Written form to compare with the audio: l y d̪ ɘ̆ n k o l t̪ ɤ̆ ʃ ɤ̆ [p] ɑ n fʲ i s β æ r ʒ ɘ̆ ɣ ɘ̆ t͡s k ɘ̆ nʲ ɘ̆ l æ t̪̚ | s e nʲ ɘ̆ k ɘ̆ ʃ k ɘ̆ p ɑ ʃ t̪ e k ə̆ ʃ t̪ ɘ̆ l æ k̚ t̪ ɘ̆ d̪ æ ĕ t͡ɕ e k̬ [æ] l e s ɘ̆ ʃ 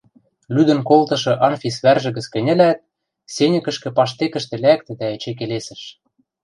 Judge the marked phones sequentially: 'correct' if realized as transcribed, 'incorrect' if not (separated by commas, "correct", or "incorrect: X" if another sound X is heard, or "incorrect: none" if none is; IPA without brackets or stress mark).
incorrect: ʔ, incorrect: e